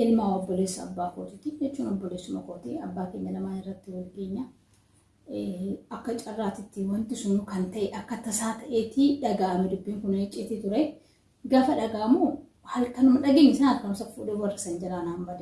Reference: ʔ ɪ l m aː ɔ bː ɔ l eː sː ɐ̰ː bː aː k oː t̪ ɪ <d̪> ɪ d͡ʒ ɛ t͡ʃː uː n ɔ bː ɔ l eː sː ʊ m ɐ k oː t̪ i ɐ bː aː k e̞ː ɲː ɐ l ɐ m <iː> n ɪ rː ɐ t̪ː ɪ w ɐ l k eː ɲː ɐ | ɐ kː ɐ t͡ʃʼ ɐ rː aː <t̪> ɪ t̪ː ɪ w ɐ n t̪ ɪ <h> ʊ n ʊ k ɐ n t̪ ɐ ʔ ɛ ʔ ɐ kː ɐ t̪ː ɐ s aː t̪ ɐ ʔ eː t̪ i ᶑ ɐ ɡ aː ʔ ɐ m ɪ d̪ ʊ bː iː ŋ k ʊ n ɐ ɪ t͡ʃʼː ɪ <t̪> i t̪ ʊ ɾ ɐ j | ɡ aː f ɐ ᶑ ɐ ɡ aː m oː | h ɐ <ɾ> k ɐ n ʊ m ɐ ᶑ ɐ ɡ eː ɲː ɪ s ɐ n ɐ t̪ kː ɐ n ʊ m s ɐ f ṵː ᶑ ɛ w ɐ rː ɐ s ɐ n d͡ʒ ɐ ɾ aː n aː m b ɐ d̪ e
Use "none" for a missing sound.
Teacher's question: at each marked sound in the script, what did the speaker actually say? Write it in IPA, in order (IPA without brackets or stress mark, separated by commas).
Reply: t̪, aː, t̪, s, t̪, l